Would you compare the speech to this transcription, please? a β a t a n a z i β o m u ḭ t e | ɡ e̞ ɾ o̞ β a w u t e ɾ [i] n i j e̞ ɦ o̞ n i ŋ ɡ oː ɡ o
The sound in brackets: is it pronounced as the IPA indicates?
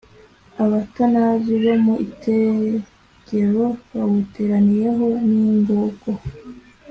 no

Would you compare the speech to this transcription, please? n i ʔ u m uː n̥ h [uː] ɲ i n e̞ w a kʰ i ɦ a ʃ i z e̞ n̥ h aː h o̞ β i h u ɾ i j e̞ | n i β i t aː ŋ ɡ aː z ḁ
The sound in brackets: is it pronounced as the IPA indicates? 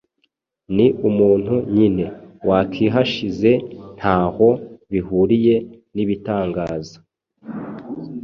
no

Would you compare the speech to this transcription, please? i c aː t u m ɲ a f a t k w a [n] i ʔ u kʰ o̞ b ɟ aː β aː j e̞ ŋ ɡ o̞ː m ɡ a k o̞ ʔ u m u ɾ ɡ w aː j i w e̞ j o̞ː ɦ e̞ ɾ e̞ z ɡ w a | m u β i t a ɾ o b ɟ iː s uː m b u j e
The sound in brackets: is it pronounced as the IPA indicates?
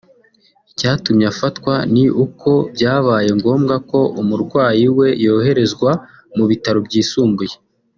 yes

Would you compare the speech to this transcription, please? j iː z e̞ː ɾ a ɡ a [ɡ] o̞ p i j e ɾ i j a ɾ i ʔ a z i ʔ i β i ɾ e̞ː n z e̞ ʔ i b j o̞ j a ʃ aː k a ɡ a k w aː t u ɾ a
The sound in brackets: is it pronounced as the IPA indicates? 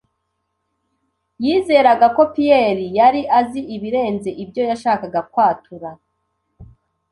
no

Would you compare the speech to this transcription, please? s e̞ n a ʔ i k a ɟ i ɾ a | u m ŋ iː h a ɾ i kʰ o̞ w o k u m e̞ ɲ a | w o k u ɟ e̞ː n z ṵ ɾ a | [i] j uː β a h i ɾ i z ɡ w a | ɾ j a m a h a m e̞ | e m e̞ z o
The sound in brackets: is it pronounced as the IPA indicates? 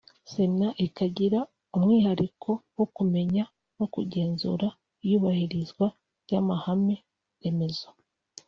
yes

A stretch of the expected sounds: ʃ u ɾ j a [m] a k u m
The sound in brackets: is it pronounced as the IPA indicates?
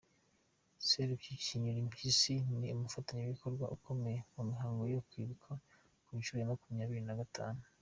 yes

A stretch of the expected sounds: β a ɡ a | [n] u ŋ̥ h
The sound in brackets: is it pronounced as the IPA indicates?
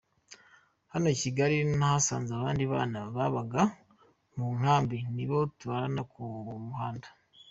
no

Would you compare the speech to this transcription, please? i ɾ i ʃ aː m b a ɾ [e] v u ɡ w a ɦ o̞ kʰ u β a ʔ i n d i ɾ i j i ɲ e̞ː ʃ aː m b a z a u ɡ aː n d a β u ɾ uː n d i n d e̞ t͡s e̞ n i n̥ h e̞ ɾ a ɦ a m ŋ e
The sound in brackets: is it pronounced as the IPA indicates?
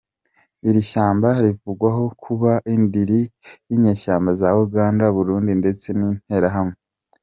no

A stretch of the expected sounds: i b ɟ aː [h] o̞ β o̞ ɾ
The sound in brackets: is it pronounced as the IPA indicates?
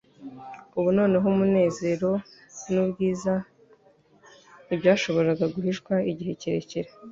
no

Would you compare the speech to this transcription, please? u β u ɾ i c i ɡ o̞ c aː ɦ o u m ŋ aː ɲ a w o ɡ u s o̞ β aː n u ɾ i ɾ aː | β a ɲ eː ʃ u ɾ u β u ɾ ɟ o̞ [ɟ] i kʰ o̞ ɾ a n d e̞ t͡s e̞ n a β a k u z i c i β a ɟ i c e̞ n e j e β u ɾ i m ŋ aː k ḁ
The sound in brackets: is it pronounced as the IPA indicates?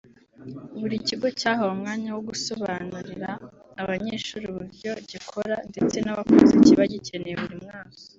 yes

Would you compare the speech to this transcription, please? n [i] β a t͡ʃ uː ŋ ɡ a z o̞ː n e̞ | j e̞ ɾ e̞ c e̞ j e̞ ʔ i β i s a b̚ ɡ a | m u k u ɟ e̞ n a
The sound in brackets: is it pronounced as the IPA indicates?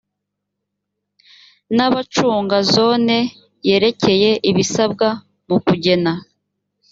no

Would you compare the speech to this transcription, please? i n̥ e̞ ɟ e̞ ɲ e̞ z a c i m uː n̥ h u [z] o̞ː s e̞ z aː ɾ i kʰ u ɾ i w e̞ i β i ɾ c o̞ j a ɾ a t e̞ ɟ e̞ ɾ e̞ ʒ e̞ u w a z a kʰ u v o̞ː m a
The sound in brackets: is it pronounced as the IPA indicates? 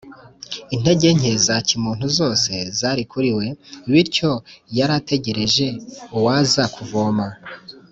yes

